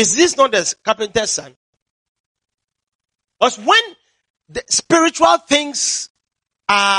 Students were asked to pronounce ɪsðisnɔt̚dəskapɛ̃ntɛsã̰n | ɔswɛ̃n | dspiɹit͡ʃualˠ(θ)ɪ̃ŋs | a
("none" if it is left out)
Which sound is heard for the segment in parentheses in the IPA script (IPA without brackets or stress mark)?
θ